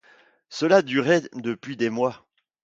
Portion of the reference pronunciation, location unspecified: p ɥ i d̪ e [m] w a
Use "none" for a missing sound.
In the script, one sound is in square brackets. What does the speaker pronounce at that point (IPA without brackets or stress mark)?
m